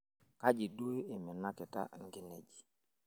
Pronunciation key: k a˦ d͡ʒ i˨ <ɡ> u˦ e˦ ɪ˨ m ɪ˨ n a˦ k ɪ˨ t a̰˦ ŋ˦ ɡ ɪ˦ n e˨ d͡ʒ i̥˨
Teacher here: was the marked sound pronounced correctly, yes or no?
no